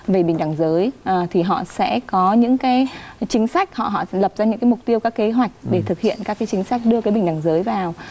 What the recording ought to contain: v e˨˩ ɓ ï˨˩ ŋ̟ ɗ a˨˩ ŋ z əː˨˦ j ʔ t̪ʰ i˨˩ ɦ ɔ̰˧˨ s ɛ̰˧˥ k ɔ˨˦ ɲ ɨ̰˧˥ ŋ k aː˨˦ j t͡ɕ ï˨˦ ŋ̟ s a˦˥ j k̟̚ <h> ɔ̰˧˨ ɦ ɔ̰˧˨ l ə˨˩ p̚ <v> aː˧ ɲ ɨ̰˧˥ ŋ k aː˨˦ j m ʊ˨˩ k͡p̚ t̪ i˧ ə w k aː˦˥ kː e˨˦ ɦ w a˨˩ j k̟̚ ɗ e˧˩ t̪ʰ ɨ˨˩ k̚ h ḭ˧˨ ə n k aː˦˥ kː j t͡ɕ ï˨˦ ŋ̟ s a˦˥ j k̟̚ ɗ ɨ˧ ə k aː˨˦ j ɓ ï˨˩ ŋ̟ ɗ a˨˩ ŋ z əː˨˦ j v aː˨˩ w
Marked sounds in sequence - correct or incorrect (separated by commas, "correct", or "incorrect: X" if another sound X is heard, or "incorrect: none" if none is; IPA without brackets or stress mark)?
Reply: correct, incorrect: z